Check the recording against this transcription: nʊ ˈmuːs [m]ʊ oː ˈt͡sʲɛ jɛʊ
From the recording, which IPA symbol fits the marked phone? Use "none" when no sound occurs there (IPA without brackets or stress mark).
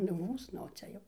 n